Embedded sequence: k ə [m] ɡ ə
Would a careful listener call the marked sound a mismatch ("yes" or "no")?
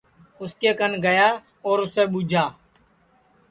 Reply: yes